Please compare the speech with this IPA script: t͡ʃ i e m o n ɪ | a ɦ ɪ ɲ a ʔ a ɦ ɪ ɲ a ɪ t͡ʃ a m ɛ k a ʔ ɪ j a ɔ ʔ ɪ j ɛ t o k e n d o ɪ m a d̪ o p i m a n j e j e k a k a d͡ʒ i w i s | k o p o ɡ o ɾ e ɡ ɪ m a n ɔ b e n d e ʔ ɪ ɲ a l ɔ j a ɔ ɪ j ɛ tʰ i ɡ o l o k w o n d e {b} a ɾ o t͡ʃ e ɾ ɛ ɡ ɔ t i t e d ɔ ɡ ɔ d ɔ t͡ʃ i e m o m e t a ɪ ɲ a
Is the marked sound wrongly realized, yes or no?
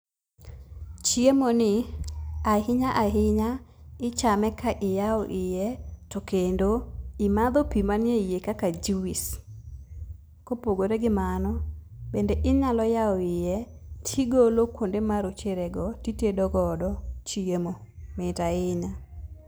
yes